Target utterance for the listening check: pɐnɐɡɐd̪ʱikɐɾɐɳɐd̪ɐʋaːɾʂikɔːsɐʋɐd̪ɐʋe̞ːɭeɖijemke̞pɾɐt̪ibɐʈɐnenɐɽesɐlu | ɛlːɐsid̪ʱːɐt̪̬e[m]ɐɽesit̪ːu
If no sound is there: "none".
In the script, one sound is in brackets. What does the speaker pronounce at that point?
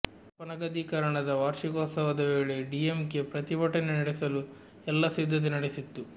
n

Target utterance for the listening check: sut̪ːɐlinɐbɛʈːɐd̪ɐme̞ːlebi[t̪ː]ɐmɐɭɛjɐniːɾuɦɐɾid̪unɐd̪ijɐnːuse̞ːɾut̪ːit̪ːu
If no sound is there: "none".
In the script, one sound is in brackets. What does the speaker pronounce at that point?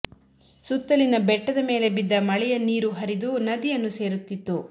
d̪ː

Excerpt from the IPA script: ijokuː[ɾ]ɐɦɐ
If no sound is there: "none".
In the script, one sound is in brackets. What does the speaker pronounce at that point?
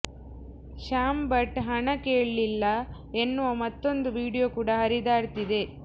ɽ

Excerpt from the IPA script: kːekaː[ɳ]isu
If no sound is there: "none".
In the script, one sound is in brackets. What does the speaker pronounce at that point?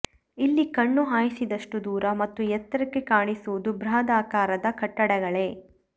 ɳ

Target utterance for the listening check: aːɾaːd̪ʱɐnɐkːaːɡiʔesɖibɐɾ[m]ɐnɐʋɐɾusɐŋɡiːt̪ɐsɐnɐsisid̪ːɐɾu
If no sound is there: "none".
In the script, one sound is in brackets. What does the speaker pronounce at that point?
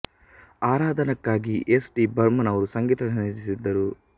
m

